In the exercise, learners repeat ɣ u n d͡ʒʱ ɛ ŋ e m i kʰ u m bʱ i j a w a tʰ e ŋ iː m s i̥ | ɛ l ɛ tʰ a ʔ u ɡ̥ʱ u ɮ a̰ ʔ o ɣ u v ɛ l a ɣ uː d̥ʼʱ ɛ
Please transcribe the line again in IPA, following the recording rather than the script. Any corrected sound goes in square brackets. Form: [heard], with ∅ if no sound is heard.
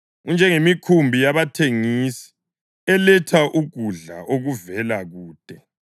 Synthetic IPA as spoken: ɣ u n d͡ʒʱ ɛ ŋ e m i kʰ u m bʱ i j a [β] a tʰ e ŋ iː [∅] s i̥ | ɛ l ɛ tʰ a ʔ u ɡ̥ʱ u ɮ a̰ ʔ o ɣ u v ɛ l a ɣ uː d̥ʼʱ ɛ